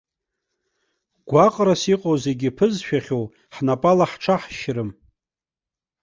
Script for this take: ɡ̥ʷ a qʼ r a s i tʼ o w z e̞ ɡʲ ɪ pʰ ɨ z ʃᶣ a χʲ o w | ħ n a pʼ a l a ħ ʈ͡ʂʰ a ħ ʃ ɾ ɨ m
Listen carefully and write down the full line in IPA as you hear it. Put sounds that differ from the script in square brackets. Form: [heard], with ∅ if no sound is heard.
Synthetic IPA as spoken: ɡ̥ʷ a qʼ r a s i [qʼ] o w z e̞ ɡʲ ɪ pʰ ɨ z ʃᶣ a χʲ o w | ħ n a pʼ a l a ħ ʈ͡ʂʰ a ħ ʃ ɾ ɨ m

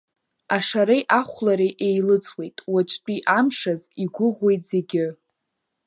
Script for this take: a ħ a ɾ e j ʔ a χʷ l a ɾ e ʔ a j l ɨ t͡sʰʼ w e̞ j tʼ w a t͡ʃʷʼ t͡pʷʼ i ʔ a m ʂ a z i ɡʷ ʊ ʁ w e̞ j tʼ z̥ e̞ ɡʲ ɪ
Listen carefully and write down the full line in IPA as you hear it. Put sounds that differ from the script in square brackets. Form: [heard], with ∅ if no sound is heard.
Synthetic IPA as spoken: a [ʂ] a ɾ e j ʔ a χʷ l a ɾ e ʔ [e] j l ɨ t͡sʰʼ w e̞ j tʼ w a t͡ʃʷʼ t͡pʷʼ i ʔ a m ʂ a z i ɡʷ ʊ ʁ w e̞ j tʼ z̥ e̞ ɡʲ ɪ

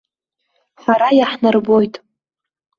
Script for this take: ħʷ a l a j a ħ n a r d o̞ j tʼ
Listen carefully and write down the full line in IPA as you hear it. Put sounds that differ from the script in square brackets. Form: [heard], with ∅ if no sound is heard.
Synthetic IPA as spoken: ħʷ a [ɾ] a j a ħ n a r [b] o̞ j tʼ

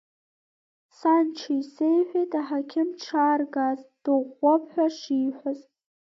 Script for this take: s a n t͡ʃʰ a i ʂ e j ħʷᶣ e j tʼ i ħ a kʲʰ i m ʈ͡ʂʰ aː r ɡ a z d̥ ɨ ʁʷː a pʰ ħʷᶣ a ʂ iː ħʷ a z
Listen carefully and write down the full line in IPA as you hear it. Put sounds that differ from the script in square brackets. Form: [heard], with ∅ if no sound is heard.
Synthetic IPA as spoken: s a n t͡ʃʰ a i [s] e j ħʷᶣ e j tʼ [a] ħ a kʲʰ [ɪ] m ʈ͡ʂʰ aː r ɡ a z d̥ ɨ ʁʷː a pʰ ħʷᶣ a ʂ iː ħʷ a z

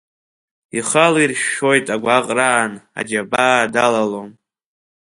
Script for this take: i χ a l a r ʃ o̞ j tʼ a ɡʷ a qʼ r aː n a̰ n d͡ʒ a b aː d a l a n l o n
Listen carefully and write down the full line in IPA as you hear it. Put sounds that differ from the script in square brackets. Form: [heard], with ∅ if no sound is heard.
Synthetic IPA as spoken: i χ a l [i] r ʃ o̞ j tʼ a ɡʷ a qʼ r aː n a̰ [∅] d͡ʒ a b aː d a l a [∅] l o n

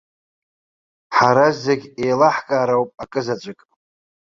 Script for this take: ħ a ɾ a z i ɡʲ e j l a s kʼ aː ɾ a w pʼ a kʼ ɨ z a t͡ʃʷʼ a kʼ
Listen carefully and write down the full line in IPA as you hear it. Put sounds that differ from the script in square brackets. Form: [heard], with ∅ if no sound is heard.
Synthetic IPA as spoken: ħ a ɾ a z [e] ɡʲ e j l a [ħ] kʼ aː ɾ a w pʼ a kʼ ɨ z a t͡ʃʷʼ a kʼ

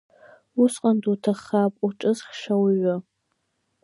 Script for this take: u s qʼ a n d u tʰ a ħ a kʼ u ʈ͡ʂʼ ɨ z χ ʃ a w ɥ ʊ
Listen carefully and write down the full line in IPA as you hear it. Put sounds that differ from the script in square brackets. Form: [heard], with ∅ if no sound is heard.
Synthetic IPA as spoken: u s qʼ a n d u tʰ a [χ] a [pʼ] u ʈ͡ʂʼ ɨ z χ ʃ a w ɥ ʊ

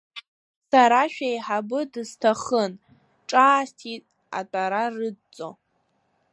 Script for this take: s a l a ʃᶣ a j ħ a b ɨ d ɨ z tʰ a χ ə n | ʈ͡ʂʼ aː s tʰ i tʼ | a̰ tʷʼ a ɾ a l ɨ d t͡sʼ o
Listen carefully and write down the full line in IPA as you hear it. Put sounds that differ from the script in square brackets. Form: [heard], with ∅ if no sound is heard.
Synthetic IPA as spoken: s a [ɾ] a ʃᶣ a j ħ a b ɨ d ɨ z tʰ a χ ə n | ʈ͡ʂʼ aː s tʰ i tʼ | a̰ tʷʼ a ɾ a [r] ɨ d t͡sʼ o

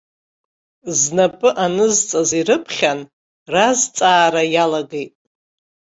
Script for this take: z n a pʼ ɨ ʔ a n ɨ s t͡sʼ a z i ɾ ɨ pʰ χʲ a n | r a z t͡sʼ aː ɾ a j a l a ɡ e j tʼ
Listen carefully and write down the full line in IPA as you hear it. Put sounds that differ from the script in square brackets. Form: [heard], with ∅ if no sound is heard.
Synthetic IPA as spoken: z n a pʼ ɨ ʔ a n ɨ [z] t͡sʼ a z i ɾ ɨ pʰ χʲ a n | r a z t͡sʼ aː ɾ a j a l a ɡ e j tʼ

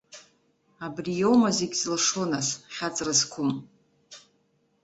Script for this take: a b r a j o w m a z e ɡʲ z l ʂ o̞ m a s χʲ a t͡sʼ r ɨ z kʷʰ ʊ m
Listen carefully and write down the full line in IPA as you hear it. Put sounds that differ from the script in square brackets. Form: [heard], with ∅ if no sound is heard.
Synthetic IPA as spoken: a b r [i] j o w m a z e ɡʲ z l ʂ o̞ [n] a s χʲ a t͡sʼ r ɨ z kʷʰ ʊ m

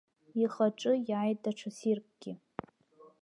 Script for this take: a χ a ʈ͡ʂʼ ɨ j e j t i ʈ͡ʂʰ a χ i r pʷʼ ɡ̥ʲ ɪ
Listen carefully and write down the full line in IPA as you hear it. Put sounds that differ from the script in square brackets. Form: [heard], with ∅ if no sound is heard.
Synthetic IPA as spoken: [i] χ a ʈ͡ʂʼ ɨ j [a] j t [a] ʈ͡ʂʰ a [s] i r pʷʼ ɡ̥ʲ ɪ

